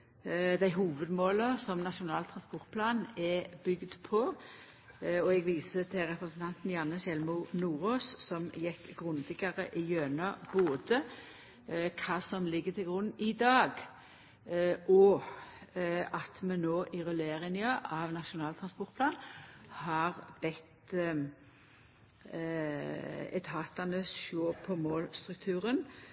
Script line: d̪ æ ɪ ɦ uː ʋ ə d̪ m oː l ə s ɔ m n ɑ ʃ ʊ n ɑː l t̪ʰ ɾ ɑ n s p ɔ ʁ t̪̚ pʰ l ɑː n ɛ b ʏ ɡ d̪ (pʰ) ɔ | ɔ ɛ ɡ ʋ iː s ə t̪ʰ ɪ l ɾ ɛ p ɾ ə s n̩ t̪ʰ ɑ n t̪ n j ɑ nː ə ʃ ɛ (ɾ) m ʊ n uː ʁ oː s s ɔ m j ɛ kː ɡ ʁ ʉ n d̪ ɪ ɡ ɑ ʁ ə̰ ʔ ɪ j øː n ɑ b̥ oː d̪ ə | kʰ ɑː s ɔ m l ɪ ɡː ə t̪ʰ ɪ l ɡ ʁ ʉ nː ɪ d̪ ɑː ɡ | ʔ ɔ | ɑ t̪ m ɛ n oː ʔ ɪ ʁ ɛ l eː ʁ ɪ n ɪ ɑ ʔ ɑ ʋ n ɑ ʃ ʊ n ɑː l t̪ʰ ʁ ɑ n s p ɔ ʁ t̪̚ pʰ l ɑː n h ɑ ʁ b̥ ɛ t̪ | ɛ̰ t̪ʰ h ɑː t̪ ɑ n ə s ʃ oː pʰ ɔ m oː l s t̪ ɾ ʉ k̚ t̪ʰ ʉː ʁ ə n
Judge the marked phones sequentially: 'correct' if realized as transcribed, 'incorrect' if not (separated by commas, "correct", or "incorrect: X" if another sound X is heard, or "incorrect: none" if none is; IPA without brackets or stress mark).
correct, incorrect: l